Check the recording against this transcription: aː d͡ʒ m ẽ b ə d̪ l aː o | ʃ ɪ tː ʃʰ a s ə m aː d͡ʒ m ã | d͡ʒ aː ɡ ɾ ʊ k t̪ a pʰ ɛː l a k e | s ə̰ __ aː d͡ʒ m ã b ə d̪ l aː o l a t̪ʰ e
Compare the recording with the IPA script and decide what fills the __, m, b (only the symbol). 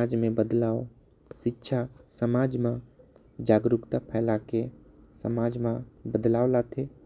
m